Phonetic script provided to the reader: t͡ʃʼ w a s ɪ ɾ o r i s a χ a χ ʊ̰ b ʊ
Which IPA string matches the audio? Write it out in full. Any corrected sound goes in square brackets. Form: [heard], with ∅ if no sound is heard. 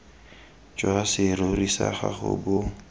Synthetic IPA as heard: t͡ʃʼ w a s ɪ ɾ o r i s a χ a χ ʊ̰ b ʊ